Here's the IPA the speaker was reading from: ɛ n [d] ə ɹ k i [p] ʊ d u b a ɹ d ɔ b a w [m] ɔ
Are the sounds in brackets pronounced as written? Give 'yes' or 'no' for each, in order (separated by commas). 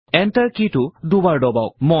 no, no, yes